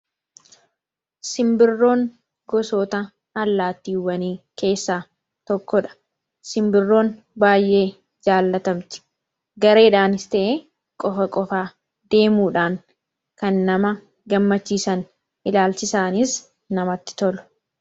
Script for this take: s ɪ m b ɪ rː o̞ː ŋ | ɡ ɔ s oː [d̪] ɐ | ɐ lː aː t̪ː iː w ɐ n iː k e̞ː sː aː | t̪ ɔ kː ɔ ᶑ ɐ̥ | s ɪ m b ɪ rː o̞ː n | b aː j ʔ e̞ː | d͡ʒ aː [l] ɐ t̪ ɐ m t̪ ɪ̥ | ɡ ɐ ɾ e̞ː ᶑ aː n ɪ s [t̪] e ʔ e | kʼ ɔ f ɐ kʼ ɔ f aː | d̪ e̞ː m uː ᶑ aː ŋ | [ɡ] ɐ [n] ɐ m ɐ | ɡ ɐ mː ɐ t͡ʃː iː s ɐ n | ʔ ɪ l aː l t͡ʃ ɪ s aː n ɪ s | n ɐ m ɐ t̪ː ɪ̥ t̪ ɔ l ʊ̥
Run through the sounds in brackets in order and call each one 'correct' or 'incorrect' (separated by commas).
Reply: incorrect, incorrect, correct, incorrect, incorrect